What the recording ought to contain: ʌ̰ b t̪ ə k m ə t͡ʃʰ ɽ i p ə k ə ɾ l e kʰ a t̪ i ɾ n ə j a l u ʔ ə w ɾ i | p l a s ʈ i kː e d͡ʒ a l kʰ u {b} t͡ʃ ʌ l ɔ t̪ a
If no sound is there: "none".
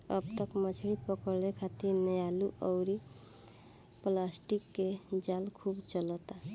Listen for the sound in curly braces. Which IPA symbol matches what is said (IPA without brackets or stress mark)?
b